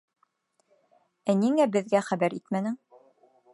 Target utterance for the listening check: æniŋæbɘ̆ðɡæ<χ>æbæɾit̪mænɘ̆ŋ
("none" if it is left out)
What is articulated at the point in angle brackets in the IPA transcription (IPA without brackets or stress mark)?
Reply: χ